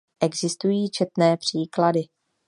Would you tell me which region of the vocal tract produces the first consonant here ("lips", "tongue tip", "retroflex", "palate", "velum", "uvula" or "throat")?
throat